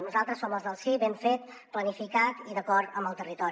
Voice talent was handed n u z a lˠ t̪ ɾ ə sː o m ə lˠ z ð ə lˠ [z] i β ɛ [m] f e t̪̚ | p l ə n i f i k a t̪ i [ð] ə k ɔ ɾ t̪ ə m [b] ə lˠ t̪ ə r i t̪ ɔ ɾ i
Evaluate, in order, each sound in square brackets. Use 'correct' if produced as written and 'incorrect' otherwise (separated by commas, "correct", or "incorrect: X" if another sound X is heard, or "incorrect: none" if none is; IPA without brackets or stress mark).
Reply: incorrect: s, correct, correct, correct